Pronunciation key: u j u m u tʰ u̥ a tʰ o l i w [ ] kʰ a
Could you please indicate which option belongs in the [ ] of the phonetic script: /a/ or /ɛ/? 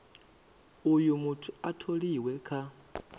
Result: ɛ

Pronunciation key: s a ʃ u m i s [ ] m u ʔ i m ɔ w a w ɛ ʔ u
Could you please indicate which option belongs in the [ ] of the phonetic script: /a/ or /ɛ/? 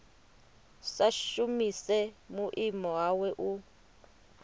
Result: ɛ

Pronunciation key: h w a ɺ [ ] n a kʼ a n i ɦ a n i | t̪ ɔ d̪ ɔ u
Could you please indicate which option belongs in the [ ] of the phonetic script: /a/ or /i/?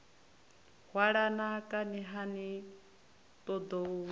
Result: a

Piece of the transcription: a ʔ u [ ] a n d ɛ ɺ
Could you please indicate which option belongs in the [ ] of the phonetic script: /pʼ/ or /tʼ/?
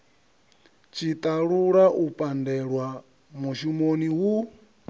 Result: pʼ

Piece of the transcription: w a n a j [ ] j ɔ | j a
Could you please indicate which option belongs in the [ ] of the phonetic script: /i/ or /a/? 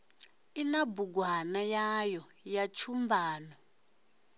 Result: a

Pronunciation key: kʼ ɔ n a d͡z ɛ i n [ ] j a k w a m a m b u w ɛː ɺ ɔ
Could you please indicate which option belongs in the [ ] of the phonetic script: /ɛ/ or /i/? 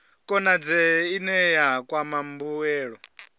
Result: ɛ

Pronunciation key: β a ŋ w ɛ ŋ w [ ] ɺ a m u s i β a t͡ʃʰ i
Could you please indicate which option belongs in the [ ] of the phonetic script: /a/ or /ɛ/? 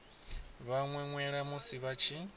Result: ɛ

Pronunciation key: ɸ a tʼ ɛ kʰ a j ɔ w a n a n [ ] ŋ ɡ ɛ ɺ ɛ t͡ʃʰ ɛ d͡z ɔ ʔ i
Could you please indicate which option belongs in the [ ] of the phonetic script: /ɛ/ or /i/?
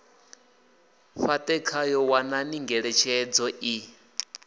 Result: i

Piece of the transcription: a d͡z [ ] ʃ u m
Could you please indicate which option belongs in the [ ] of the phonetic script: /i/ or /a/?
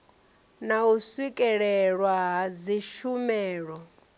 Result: i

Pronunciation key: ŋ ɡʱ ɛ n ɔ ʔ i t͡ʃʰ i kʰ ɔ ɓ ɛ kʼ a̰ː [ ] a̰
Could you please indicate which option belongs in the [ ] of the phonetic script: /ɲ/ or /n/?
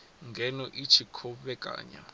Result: ɲ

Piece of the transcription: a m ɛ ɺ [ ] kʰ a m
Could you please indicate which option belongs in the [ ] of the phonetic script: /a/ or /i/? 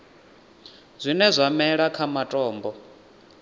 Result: a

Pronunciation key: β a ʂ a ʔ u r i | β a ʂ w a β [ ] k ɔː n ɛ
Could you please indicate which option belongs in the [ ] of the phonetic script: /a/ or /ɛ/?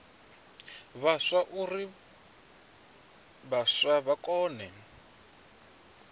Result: a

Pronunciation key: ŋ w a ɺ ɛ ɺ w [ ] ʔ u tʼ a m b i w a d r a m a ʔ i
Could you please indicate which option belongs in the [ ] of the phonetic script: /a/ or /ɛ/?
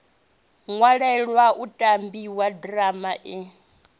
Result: a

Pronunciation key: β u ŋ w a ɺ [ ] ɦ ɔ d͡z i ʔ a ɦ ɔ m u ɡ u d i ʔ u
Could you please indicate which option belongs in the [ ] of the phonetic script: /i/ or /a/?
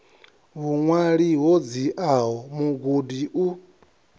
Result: i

